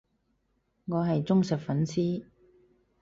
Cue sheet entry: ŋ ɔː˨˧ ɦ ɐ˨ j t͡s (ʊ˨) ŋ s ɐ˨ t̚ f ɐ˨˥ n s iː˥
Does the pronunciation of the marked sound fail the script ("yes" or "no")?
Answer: yes